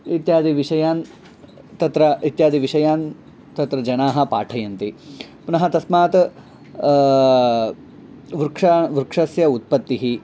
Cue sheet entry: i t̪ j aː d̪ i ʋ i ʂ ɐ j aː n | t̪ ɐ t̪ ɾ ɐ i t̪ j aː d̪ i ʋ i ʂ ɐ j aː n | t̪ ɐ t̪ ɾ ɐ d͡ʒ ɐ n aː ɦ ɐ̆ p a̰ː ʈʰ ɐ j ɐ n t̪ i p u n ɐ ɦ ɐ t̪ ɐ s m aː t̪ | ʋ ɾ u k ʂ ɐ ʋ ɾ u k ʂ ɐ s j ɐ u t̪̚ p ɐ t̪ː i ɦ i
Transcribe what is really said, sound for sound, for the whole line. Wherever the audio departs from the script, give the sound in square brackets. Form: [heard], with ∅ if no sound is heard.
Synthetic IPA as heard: i t̪ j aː d̪ i ʋ i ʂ ɐ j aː n | t̪ ɐ t̪ ɾ ɐ i t̪ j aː d̪ i ʋ i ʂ ɐ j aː n | t̪ ɐ t̪ ɾ ɐ d͡ʒ ɐ n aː ɦ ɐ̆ p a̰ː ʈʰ ɐ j ɐ n t̪ i p u n ɐ ɦ ɐ t̪ ɐ s m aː t̪ | ʋ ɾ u k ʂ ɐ ʋ ɾ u k ʂ ɐ s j ɐ u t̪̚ p ɐ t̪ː i ɦ i